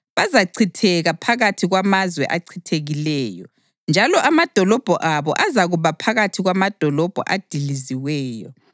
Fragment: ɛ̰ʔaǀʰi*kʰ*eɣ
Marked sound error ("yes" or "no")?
yes